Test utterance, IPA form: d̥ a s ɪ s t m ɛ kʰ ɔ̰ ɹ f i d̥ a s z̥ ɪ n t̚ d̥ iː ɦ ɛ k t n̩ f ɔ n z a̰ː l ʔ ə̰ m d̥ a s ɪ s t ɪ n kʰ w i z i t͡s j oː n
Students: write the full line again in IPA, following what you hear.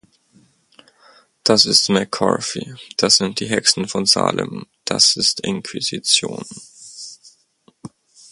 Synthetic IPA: d̥ a s ɪ s t m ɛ kʰ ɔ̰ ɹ f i d̥ a s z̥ ɪ n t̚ d̥ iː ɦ ɛ k s n̩ f ɔ n z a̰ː l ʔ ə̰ m d̥ a s ɪ s t ɪ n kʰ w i z i t͡s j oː n

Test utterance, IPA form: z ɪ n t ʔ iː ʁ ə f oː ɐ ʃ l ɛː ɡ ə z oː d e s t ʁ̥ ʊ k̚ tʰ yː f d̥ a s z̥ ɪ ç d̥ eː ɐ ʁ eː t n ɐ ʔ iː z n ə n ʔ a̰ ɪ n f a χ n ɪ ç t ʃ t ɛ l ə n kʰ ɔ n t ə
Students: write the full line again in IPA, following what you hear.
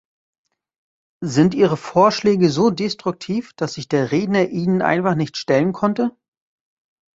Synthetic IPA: z ɪ n t ʔ iː ʁ ə f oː ɐ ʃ l ɛː ɡ ə z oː d e s t ʁ̥ ʊ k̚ tʰ iː f d̥ a s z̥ ɪ ç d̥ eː ɐ ʁ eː d n ɐ ʔ iː n ə n ʔ a̰ ɪ n f a χ n ɪ ç t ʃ t ɛ l ə n kʰ ɔ n t ə

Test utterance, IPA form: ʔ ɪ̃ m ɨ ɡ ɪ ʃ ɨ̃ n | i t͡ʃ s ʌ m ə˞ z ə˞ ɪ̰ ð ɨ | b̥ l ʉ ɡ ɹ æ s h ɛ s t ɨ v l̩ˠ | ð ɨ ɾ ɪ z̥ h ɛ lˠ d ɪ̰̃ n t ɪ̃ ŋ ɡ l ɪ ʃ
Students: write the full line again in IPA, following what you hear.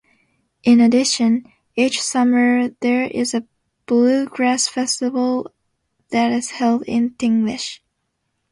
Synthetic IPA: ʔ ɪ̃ n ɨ d ɪ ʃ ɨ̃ n | i t͡ʃ s ʌ m ə˞ ð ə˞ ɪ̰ z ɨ | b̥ l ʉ ɡ ɹ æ s f ɛ s t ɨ v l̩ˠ | ð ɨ ɾ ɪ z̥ h ɛ lˠ d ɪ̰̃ n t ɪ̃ ŋ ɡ l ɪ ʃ

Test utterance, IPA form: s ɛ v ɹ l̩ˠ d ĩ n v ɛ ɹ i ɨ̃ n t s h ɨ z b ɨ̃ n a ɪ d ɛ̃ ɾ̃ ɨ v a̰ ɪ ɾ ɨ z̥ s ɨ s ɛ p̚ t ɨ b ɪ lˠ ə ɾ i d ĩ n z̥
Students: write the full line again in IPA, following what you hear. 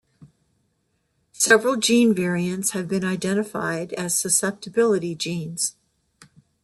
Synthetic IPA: s ɛ v ɹ l̩ˠ d͡ʒ ĩ n v ɛ ɹ i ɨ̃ n t s h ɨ v b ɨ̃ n a ɪ d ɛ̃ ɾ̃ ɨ f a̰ ɪ ɾ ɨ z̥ s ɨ s ɛ p̚ t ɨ b ɪ lˠ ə ɾ i d͡ʒ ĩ n z̥

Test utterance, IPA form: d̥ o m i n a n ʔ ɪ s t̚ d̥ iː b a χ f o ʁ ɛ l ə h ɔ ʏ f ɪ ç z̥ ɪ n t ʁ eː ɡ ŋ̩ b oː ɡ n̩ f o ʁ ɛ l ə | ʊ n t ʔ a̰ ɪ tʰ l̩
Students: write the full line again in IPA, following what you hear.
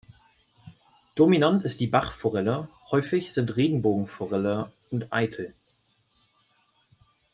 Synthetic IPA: d̥ o m i n a n t ɪ s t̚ d̥ iː b a χ f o ʁ ɛ l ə h ɔ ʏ f ɪ ç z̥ ɪ n t ʁ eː ɡ ŋ̩ b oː ɡ ŋ̩ f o ʁ ɛ l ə | ʊ n t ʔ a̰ ɪ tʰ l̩

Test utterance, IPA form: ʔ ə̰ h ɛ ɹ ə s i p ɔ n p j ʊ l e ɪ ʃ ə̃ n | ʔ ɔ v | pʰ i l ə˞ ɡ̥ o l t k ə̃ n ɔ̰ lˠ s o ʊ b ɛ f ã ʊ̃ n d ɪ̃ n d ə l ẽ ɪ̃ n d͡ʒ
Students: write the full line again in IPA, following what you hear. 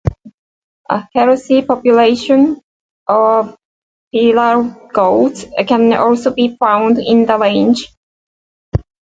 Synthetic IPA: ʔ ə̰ h ɛ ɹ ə s i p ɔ p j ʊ l e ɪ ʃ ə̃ n | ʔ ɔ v | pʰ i l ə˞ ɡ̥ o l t k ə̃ n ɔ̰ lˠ s o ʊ b i f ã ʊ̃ n d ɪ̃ n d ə l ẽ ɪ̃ n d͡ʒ

